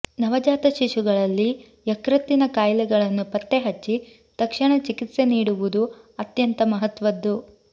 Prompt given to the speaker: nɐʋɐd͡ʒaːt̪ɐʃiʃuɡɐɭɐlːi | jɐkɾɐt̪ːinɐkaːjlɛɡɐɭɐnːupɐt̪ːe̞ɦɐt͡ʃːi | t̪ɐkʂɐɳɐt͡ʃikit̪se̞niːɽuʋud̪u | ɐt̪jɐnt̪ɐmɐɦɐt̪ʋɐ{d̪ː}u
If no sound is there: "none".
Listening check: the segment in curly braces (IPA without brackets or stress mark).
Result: d̪ː